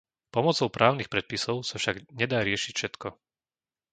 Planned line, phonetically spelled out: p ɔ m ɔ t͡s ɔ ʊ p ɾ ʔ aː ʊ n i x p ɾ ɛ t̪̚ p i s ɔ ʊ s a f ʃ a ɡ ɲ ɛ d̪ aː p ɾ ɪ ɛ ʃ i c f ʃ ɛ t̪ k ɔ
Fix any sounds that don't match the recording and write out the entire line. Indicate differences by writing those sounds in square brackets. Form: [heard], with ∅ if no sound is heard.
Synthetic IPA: p ɔ m ɔ t͡s ɔ ʊ p ɾ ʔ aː ʊ n i x p ɾ ɛ t̪̚ p i s ɔ ʊ s a f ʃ a ɡ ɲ ɛ d̪ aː [∅] ɾ ɪ ɛ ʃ i c f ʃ ɛ t̪ k ɔ